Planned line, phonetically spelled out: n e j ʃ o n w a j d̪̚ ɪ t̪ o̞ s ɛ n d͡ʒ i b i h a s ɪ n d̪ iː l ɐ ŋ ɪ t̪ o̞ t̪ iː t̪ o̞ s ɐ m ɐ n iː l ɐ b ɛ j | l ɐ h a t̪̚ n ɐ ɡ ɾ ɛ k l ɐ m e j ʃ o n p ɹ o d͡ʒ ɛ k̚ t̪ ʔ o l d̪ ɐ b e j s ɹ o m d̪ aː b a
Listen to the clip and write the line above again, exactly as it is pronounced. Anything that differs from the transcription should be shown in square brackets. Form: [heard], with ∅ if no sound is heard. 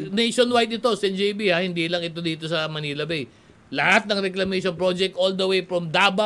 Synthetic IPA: n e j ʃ o n w a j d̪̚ ɪ t̪ o̞ s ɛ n d͡ʒ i b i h a [h] ɪ n d̪ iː l ɐ ŋ ɪ t̪ o̞ [d̪] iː t̪ o̞ s ɐ m ɐ n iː l ɐ b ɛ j | l ɐ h a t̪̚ n ɐ [ŋ] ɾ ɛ k l ɐ m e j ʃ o n p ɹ o d͡ʒ ɛ k̚ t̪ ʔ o l d̪ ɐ [w] e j [f] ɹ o m d̪ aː b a